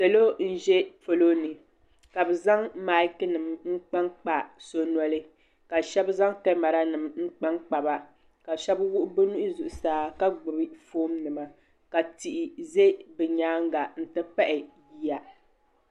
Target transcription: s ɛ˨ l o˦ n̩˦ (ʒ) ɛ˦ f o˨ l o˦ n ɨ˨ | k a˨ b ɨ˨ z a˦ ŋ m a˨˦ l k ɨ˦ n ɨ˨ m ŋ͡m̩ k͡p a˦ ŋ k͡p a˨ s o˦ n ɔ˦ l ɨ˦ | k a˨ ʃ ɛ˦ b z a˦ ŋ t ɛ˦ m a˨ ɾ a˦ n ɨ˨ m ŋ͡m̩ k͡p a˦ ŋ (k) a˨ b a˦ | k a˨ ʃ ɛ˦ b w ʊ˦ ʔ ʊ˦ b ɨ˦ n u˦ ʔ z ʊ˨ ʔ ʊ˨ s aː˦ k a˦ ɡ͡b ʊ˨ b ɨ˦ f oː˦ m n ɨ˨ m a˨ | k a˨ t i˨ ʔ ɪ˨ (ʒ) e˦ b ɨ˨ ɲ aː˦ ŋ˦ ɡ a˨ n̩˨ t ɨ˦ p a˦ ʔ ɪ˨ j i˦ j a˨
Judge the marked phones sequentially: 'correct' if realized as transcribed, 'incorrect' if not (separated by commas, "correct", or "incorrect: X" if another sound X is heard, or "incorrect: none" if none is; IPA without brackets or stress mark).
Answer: correct, incorrect: k͡p, incorrect: z